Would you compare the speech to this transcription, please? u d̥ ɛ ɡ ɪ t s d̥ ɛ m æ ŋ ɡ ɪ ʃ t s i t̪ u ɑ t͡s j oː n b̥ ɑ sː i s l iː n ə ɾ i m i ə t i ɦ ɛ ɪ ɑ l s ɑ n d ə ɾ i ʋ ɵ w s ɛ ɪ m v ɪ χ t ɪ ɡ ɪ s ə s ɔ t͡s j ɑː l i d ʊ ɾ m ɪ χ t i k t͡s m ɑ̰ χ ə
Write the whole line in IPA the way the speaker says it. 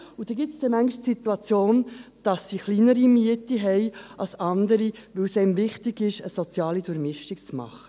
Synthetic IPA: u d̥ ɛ ɡ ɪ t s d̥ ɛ m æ ŋ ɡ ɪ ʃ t s i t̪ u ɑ t͡s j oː n d̥ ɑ sː i χ l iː n ə ɾ i m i ə t i ɦ ɛ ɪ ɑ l s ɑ n d ə ɾ i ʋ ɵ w s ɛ ɪ m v ɪ χ t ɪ ɡ ɪ ʃ ə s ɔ t͡s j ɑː l i d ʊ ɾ m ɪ ʃ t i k t͡s m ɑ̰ χ ə

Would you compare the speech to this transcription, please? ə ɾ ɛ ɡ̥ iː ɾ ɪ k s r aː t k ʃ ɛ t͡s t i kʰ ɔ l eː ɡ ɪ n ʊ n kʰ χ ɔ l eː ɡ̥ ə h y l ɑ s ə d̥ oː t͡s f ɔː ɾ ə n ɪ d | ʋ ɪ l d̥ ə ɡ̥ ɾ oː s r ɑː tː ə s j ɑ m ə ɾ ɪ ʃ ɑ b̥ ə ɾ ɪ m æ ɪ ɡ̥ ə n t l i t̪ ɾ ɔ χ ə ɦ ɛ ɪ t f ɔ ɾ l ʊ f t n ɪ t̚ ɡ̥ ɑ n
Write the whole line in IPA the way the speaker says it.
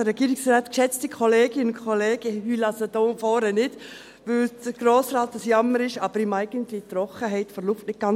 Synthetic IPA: ə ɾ ɛ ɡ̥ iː ɾ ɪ k s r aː t k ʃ ɛ t͡s t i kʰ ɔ l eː ɡ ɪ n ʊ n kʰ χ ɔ l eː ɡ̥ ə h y l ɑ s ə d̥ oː f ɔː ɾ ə n ɪ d | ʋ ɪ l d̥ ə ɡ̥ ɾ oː s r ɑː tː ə s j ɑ m ə ɾ ɪ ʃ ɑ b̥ ə ɾ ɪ m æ ɪ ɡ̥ ə n t l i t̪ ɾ ɔ χ ə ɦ ɛ ɪ t f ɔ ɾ l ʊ f t n ɪ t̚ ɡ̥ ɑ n

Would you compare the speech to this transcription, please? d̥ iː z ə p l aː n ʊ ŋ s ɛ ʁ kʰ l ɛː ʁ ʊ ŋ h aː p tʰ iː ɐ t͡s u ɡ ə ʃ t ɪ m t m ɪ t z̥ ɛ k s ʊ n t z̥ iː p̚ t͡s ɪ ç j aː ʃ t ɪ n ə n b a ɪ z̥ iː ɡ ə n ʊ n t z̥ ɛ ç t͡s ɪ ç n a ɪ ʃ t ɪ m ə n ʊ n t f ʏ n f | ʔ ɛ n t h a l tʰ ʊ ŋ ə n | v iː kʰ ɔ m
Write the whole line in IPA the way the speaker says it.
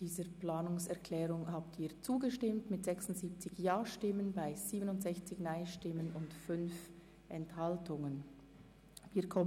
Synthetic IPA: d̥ iː z ə p l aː n ʊ ŋ s ɛ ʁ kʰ l ɛː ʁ ʊ ŋ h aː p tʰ iː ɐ t͡s uː ɡ ə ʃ t ɪ m t m ɪ t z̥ ɛ k s ʊ n t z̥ iː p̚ t͡s ɪ ç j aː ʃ t ɪ m ə n b a ɪ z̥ iː b ə n ʊ n t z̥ ɛ ç t͡s ɪ ç n a ɪ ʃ t ɪ m ə n ʊ n t f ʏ n f | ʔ ɛ n t h a l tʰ ʊ ŋ ə n | v iː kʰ ɔ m

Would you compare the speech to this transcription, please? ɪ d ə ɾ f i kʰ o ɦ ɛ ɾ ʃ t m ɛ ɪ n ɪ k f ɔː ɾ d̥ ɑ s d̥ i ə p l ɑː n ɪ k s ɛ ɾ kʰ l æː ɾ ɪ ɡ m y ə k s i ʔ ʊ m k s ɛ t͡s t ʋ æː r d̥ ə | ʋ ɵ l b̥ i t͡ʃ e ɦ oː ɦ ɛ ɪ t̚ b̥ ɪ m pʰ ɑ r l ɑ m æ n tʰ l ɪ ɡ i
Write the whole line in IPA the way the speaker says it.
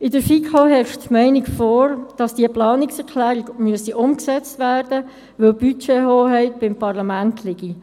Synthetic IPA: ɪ d ə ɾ f i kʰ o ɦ ɛ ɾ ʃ t m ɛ ɪ n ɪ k f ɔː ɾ d̥ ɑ s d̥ i ə p l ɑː n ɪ k s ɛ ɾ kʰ l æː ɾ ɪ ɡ m y ə s i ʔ ʊ m k s ɛ t͡s t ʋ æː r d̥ ə | ʋ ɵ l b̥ y t͡ʃ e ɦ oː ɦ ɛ ɪ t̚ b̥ ɪ m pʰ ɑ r l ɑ m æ n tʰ l ɪ ɡ i

